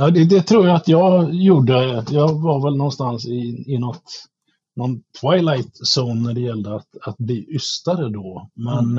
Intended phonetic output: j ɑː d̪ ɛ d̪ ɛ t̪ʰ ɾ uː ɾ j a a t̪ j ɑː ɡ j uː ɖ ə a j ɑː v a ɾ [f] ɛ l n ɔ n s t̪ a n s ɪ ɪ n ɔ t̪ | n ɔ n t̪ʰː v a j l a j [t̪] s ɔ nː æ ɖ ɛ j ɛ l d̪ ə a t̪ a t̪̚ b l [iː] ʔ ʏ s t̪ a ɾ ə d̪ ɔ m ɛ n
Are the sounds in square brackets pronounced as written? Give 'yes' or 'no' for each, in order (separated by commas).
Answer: no, yes, yes